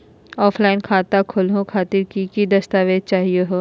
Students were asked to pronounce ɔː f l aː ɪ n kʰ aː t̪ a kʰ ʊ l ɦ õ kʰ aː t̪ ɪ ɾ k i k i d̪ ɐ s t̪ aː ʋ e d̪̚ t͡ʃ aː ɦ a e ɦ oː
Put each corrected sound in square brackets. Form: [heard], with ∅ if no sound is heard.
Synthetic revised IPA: ɔː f l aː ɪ n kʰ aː t̪ a kʰ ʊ l ɦ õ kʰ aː t̪ ɪ ɾ k i k i d̪ ɐ s t̪ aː ʋ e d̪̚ t͡ʃ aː ɦ [i] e ɦ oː